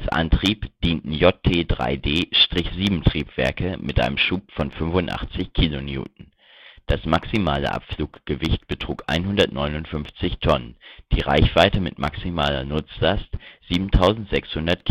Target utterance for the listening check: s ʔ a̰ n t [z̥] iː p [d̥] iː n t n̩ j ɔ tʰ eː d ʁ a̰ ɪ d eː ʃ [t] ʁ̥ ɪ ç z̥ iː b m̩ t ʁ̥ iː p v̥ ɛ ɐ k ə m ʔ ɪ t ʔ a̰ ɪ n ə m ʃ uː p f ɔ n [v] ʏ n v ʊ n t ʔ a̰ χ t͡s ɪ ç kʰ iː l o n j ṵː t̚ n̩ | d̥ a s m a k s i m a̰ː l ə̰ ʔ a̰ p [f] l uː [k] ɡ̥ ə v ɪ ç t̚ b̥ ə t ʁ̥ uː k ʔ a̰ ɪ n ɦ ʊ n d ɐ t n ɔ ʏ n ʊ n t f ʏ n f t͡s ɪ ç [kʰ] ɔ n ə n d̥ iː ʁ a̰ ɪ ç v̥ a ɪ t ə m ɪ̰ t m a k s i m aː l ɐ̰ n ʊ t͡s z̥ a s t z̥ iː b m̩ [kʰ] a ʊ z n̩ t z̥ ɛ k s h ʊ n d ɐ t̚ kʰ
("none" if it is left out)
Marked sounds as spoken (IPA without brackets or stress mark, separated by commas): ʁ̥, d̥, t, f, f, k, tʰ, tʰ